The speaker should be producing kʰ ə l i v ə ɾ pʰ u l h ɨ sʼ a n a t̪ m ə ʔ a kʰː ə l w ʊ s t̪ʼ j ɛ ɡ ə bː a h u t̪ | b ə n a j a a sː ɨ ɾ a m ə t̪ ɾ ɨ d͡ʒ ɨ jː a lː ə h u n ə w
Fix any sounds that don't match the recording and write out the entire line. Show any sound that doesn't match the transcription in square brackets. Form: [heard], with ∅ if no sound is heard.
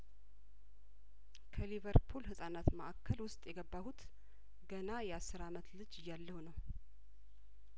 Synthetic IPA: kʰ ə l i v ə ɾ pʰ u l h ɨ sʼ a n a t̪ m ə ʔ a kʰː ə l w ʊ s t̪ʼ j ɛ ɡ ə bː a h u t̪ | [ɡ] ə n a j [ɛ] a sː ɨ ɾ a m ə t̪ [l] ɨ d͡ʒ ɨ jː a lː ə h u n ə w

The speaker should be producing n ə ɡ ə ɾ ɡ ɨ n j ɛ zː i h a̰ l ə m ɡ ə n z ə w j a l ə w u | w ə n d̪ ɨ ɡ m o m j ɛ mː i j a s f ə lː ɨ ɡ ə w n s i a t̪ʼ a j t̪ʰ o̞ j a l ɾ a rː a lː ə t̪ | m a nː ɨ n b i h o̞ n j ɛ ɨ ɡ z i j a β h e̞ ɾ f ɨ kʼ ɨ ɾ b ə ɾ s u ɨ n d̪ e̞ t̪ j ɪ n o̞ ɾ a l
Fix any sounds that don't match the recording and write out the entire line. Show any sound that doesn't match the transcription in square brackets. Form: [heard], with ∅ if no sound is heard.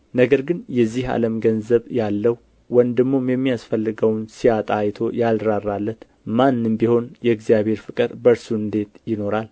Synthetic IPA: n ə ɡ ə ɾ ɡ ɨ n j ɛ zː i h a̰ l ə m ɡ ə n z ə [β] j a [lː] ə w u | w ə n d̪ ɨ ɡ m o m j ɛ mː i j a s f ə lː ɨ ɡ ə w n s i a t̪ʼ a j t̪ʰ o̞ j a l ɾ a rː a lː ə t̪ | m a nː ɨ [m] b i h o̞ n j ɛ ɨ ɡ z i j a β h e̞ ɾ f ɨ kʼ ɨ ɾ b ə ɾ s u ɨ n d̪ e̞ t̪ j ɪ n o̞ ɾ a l

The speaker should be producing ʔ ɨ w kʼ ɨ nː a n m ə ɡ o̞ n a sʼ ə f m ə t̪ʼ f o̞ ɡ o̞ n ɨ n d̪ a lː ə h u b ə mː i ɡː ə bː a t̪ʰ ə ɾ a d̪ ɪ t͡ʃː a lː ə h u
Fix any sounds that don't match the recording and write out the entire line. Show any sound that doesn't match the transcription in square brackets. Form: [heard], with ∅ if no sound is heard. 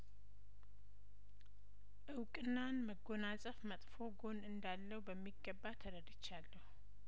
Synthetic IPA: ʔ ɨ w kʼ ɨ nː a n m ə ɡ o̞ n a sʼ ə f m ə t̪ʼ f o̞ ɡ o̞ n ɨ n d̪ a lː ə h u b ə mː i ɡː ə bː a t̪ʰ ə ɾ [ə] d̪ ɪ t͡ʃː a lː ə h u

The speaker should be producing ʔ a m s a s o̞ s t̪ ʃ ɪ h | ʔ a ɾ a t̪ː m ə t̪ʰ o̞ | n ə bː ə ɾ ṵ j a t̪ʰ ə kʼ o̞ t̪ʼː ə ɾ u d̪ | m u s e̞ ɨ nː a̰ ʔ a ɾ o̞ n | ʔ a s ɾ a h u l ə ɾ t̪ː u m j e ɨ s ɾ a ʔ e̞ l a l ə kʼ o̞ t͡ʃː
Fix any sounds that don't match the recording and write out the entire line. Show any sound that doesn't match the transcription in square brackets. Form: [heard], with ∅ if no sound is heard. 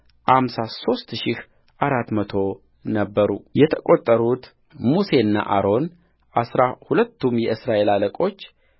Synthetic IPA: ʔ a m s a s o̞ s t̪ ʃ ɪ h | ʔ a ɾ a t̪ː m ə t̪ʰ o̞ | n ə bː ə ɾ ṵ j [ɛ] t̪ʰ ə kʼ o̞ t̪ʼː ə ɾ u [t̪] | m u s e̞ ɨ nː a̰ ʔ a ɾ o̞ n | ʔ a s ɾ a h u l ə [∅] t̪ː u m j [ɛ] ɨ s ɾ a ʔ e̞ l a l ə kʼ o̞ t͡ʃː

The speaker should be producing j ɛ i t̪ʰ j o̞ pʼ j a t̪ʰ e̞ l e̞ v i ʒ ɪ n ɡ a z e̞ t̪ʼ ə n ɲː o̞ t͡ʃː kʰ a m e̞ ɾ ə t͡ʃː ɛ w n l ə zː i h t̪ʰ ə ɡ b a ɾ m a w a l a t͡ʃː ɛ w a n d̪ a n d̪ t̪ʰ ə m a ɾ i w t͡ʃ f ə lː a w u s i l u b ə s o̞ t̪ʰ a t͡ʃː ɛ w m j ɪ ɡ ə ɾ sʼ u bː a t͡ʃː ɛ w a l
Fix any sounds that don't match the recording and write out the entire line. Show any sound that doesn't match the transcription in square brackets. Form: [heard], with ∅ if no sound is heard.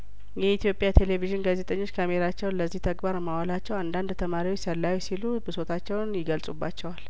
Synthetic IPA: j ɛ i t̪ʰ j o̞ pʼ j a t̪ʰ e̞ l e̞ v i ʒ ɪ n ɡ a z e̞ t̪ʼ ə [∅] ɲː o̞ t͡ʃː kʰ a m e̞ ɾ [a] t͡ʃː ɛ w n l ə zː i h t̪ʰ ə ɡ b a ɾ m a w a l a t͡ʃː ɛ w a n d̪ a n d̪ t̪ʰ ə m a ɾ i w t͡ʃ [s] ə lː a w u s i l u b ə s o̞ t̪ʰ a t͡ʃː ɛ w [n] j ɪ ɡ ə [l] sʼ u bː a t͡ʃː ɛ w a l

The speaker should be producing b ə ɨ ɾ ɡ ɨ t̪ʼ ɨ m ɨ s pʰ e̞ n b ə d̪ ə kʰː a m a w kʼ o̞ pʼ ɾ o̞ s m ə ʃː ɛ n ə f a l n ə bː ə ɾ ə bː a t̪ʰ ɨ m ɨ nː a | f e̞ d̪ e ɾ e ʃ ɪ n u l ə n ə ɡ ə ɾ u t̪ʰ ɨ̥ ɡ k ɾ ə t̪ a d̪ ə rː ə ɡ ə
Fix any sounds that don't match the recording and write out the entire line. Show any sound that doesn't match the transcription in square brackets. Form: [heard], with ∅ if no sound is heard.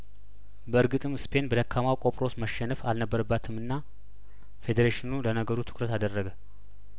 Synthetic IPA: b ə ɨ ɾ ɡ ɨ t̪ʼ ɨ m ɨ s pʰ e̞ n b ə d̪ ə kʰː a m a w kʼ o̞ pʼ ɾ o̞ s m ə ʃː ɛ n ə f a l n ə bː ə ɾ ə bː a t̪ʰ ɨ m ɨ nː a | f e̞ d̪ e ɾ e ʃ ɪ n u l ə n ə ɡ ə ɾ u t̪ʰ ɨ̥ [∅] k ɾ ə t̪ a d̪ ə rː ə ɡ ə

